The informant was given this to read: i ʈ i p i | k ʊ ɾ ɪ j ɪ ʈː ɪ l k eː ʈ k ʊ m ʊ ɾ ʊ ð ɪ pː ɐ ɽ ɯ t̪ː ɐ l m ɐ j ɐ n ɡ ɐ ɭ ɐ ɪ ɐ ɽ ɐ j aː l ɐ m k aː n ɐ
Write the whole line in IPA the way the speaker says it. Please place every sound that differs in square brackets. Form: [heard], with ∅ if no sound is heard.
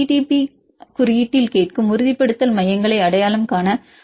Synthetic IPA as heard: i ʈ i p i | k ʊ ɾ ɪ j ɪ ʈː ɪ l k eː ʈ k [ɯ] m ʊ ɾ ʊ ð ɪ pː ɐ ɽ ɯ t̪ː ɐ l m ɐ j ɐ [ŋ] ɡ ɐ ɭ ɐ ɪ ɐ ɽ ɐ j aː l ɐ m k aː n ɐ